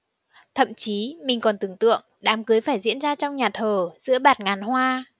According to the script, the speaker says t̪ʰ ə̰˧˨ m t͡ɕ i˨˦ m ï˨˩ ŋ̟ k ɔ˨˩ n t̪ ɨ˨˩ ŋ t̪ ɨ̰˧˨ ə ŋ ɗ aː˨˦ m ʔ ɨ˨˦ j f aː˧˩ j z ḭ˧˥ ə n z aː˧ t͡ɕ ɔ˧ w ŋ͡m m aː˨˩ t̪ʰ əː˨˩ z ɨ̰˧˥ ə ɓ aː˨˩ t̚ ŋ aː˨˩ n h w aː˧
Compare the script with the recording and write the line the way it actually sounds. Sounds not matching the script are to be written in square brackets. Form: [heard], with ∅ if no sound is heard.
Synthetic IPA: t̪ʰ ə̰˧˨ m t͡ɕ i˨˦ m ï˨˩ ŋ̟ k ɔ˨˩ n t̪ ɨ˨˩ ŋ t̪ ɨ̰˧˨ ə ŋ ɗ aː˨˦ m [k] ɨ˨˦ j f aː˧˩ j z ḭ˧˥ ə n z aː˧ t͡ɕ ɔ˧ w ŋ͡m [ɲ] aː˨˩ t̪ʰ əː˨˩ z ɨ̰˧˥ ə ɓ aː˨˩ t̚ ŋ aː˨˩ n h w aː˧